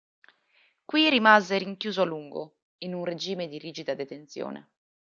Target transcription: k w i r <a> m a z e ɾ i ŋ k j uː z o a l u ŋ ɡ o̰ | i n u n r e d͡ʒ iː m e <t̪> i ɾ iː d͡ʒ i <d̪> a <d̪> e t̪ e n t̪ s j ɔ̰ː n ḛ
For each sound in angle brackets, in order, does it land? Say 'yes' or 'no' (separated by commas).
no, no, yes, yes